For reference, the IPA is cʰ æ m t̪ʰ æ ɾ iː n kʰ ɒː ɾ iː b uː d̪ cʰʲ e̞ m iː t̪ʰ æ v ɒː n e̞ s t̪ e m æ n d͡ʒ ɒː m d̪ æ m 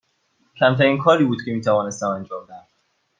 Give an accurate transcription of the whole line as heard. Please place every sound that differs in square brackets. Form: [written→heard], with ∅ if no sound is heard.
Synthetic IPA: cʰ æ m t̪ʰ æ ɾ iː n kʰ ɒː ɾ iː b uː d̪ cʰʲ e̞ m iː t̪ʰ æ v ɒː n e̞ s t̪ [e→æ] m æ n d͡ʒ ɒː m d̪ æ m